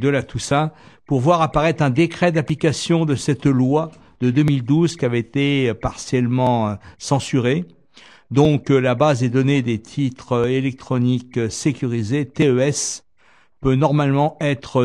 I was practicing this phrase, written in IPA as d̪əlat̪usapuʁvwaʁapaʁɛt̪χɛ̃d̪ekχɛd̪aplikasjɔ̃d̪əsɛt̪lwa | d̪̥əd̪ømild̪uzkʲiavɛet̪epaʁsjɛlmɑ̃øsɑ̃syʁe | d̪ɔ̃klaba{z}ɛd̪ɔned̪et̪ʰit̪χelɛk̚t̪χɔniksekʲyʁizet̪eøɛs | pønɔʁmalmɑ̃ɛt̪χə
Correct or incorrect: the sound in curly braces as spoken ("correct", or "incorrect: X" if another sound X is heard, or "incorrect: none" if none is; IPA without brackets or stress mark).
correct